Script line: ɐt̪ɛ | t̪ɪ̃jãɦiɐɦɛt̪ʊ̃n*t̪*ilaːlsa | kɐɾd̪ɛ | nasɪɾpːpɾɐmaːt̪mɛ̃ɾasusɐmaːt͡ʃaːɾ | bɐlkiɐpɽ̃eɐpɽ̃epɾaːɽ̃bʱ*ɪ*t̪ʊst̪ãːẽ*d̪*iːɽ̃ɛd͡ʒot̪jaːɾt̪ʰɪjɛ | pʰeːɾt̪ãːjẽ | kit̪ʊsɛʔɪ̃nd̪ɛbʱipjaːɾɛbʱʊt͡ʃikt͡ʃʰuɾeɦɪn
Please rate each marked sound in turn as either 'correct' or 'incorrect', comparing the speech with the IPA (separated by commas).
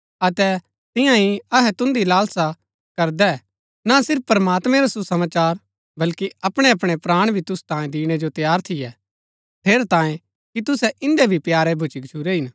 incorrect, incorrect, correct